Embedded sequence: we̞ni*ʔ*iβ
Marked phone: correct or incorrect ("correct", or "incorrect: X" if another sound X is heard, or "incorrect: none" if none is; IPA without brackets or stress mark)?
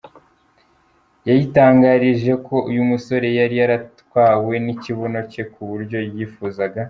incorrect: c